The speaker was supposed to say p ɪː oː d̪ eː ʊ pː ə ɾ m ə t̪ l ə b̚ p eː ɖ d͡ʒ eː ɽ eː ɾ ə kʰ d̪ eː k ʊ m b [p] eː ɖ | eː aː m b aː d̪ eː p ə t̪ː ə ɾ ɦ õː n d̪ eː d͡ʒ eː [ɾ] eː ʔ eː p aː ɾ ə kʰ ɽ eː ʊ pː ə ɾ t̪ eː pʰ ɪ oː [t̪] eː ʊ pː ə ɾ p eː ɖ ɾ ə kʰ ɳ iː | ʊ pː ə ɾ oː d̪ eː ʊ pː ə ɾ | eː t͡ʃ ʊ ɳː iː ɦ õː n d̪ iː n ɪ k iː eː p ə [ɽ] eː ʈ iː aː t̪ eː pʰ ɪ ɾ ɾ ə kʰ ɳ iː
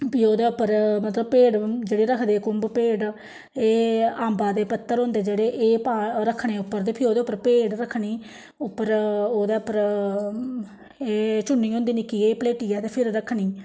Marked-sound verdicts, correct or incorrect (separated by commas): correct, incorrect, incorrect, incorrect